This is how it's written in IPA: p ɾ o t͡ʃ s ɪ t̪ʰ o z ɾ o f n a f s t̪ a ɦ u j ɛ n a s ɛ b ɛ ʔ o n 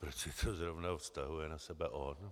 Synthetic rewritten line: p ɾ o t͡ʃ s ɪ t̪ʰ o z ɾ o v n a f s t̪ a ɦ u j ɛ n a s ɛ b ɛ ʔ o n